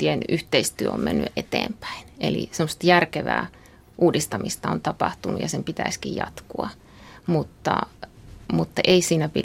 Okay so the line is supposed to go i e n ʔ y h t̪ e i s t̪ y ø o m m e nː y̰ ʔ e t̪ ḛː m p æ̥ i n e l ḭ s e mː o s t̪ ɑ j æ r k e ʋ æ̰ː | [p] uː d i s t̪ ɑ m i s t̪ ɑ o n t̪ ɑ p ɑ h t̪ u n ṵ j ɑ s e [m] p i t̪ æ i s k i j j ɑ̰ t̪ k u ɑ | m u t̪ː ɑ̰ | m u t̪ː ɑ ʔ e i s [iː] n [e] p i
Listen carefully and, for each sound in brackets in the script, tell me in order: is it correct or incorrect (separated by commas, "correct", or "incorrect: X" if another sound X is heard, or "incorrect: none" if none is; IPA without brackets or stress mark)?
incorrect: ʔ, correct, correct, incorrect: æ